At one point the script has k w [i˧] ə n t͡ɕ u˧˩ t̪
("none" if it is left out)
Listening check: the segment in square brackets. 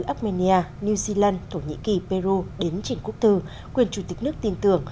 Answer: i˨˩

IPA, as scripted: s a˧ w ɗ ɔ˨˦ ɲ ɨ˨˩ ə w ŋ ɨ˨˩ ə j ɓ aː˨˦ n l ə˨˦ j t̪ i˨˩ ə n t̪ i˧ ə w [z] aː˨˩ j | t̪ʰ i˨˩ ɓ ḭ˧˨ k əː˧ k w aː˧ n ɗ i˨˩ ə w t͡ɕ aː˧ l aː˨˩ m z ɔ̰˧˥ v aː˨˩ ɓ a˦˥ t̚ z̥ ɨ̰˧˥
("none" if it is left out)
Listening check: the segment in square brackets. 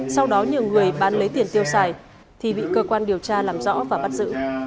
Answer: s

